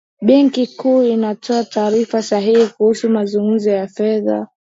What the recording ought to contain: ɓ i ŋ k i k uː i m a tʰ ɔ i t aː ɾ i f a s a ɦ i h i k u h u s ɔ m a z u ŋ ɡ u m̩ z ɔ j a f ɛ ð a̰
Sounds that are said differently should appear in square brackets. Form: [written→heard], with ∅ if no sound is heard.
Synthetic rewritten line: ɓ [i→ɛ] ŋ k i k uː i [m→n] a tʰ ɔ [i→a] t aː ɾ i f a s a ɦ i h i k u h u s [ɔ→u] m a z u ŋ ɡ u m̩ z ɔ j a f ɛ ð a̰